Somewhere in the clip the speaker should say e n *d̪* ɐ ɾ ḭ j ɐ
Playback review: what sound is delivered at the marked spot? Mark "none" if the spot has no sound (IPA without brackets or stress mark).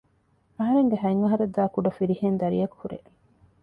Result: d̪